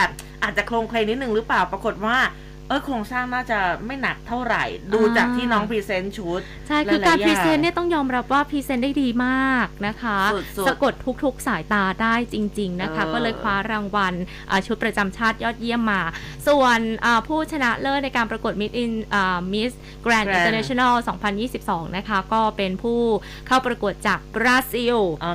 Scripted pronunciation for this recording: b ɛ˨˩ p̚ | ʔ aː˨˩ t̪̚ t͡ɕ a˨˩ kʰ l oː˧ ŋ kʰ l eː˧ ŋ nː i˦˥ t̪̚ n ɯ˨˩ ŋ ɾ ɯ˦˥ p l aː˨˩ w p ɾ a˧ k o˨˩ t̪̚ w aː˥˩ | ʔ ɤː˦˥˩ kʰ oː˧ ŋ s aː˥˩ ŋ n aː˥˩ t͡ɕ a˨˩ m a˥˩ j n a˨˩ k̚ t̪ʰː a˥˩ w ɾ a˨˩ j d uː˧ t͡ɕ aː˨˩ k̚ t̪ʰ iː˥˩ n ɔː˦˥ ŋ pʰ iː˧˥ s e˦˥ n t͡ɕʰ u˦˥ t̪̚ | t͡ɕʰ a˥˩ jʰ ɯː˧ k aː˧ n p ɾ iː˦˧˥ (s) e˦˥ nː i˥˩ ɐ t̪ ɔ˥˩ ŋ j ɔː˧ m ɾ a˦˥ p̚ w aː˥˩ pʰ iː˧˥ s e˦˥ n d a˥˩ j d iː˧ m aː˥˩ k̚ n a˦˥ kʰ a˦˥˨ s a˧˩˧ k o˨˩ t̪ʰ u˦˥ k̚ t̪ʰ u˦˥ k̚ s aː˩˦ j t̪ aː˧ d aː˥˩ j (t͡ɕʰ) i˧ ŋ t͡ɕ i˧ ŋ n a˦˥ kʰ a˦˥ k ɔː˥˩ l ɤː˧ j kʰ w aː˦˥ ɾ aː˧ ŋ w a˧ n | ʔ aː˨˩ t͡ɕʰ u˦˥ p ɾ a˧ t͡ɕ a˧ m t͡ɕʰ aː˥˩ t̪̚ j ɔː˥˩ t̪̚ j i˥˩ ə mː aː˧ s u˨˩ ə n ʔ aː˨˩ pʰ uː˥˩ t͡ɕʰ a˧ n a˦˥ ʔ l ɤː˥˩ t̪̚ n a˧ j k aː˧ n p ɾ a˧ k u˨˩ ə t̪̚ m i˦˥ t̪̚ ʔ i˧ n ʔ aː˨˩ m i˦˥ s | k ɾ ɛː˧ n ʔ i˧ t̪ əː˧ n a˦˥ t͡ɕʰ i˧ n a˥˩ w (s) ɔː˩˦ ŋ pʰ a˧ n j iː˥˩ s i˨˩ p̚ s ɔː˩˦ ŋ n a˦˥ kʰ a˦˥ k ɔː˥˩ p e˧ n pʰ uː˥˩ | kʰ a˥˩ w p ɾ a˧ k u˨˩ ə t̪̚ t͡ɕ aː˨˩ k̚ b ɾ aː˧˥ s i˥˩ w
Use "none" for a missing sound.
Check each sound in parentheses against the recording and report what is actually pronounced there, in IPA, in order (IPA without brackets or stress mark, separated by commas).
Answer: s, t͡ɕ, s